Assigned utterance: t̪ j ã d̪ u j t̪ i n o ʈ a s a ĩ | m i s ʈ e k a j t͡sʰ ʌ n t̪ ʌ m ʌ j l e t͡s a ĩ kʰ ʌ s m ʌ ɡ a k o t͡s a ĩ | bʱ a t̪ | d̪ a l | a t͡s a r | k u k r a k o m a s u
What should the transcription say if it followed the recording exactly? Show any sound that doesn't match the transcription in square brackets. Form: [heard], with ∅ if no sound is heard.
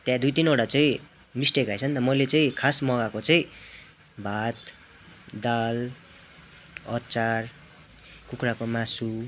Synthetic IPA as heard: t̪ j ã d̪ u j t̪ i n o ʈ a [t͡s] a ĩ | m i s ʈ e k a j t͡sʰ ʌ n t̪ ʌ m ʌ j l e t͡s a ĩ kʰ [a] s m ʌ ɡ a k o t͡s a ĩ | bʱ a t̪ | d̪ a l | [ʌ] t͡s a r | k u k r a k o m a s u